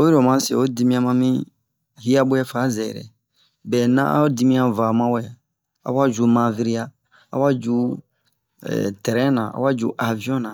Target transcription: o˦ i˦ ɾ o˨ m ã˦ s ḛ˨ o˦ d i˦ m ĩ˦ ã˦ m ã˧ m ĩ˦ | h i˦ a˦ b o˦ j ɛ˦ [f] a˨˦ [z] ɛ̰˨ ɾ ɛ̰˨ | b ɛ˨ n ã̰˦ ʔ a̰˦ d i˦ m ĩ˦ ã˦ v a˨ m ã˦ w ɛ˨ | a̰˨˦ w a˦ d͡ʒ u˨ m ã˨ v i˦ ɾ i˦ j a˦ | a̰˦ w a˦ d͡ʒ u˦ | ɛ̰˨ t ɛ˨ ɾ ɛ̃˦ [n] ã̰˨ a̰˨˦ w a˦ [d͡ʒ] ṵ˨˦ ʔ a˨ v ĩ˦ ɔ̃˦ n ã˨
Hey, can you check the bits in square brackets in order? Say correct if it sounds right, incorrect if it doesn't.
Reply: correct, correct, correct, correct

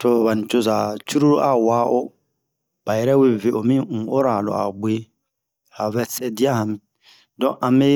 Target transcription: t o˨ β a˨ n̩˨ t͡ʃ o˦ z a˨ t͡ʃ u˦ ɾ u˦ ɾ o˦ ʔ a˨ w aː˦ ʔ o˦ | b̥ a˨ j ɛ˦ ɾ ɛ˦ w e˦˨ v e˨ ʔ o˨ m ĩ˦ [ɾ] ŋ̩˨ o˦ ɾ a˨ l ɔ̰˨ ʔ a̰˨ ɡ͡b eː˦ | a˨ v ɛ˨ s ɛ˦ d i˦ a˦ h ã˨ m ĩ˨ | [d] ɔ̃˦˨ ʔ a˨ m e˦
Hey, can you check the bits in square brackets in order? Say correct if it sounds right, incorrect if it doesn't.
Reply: incorrect: none, correct

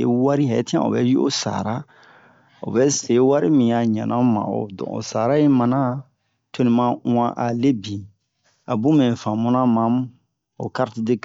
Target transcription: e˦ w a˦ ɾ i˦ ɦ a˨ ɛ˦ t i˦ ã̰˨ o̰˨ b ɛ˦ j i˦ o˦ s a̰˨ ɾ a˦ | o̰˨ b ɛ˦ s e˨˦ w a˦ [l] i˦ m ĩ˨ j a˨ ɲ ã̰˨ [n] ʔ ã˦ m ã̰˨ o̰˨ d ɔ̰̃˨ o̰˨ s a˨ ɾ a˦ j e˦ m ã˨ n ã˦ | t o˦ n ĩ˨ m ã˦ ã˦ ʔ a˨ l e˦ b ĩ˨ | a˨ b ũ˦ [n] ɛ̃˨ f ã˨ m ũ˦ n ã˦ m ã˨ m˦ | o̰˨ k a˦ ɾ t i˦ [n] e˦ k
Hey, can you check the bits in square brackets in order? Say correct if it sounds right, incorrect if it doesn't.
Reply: incorrect: ɾ, correct, incorrect: m, incorrect: d

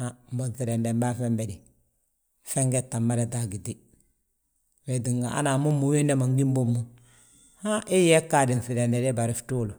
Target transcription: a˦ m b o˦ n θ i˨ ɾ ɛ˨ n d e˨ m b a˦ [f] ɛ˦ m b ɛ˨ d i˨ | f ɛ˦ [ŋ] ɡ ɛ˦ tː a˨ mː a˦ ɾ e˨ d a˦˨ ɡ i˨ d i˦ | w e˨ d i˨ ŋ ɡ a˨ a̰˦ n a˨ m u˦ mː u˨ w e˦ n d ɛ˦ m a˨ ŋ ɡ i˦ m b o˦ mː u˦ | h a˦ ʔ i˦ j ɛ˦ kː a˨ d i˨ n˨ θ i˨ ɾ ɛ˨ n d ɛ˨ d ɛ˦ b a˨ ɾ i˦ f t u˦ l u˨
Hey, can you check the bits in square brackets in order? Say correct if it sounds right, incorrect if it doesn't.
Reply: correct, correct

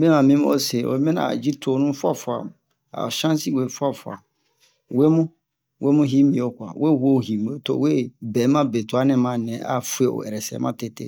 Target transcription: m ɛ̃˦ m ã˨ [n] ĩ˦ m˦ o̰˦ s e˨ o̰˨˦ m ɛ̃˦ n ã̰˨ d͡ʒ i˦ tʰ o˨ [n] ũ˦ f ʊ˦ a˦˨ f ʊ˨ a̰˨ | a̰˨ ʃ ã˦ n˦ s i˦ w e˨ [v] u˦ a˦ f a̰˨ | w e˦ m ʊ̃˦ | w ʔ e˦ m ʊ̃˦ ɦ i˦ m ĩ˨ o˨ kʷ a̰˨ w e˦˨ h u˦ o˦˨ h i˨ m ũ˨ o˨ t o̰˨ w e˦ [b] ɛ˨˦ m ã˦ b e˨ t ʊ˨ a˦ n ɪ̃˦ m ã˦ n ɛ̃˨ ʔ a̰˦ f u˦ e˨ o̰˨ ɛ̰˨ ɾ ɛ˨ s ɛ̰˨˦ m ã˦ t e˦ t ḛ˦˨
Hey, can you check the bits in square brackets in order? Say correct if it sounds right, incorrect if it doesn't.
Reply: incorrect: m, correct, incorrect: f, correct

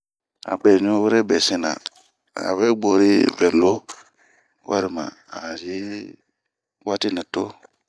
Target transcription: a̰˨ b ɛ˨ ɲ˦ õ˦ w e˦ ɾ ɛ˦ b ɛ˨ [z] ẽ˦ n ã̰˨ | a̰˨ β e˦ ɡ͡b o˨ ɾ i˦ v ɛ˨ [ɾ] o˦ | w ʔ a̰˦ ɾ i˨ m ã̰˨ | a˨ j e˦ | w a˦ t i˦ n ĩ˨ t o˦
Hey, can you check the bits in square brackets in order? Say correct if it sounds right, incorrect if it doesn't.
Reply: incorrect: s, incorrect: l

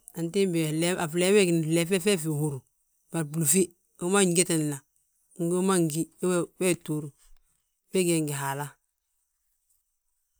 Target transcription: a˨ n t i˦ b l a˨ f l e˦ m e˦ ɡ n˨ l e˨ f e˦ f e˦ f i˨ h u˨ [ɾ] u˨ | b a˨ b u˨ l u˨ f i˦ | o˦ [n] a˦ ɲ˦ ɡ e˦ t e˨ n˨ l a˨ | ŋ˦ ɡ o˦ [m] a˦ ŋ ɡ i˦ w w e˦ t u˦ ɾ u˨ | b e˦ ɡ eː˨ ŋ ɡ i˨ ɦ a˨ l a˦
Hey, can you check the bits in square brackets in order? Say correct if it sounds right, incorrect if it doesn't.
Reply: correct, incorrect: m, correct

